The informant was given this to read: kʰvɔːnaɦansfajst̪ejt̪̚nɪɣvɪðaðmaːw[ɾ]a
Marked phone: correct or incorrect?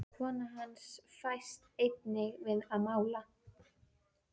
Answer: incorrect